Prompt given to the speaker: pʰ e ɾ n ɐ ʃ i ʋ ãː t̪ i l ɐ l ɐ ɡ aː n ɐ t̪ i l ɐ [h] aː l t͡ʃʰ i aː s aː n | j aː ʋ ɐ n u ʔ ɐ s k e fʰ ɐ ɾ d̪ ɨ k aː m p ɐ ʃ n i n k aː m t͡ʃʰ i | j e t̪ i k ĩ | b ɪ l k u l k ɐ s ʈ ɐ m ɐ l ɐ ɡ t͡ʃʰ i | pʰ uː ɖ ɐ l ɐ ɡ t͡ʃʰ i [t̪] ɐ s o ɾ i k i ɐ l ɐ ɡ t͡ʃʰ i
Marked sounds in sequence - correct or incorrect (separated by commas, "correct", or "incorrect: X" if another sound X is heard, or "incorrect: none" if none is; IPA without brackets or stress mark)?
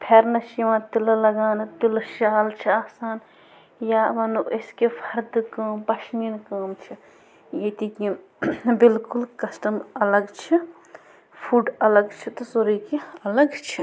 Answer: incorrect: ʃ, correct